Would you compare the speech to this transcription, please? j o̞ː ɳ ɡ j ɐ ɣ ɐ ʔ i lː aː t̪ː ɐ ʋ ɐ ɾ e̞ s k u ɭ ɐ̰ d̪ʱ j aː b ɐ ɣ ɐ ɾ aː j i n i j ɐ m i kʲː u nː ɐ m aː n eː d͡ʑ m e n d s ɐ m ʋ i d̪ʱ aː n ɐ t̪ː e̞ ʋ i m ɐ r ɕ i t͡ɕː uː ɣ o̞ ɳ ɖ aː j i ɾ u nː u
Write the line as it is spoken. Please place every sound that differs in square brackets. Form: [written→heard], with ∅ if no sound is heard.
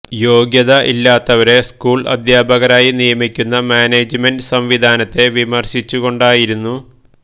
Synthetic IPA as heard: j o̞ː [ɳ→∅] ɡ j ɐ [ɣ→ð] ɐ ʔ i lː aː t̪ː ɐ ʋ ɐ ɾ e̞ s k [u→uː] ɭ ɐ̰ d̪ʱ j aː b ɐ ɣ ɐ ɾ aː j i n i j ɐ m i kʲː u nː ɐ m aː n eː d͡ʑ m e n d s ɐ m ʋ i d̪ʱ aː n ɐ t̪ː e̞ ʋ i m ɐ r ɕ i t͡ɕː [uː→u] ɣ o̞ ɳ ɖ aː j i ɾ u nː u